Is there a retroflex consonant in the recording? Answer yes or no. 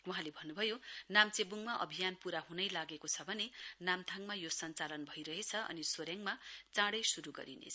yes